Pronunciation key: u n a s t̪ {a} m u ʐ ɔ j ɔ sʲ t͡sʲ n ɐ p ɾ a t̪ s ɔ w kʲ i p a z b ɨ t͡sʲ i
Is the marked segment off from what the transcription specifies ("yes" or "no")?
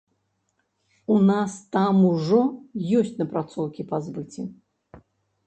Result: no